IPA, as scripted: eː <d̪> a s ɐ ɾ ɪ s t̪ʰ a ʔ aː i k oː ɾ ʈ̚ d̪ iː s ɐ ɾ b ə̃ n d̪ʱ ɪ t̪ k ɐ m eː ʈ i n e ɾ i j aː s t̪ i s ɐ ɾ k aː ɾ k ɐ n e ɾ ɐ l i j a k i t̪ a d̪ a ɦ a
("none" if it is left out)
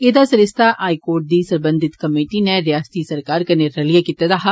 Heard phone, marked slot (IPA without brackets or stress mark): d̪